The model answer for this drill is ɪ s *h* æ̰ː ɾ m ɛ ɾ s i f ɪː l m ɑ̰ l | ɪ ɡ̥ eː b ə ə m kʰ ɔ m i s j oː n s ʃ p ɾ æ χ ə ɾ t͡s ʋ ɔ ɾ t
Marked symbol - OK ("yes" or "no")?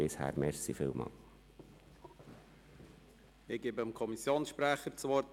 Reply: yes